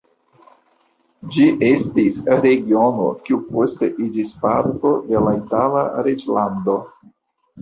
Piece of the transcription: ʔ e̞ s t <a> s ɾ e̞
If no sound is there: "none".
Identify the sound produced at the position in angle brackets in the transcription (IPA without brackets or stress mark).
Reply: i